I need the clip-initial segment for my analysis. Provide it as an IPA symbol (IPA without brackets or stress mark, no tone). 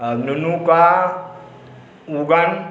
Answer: n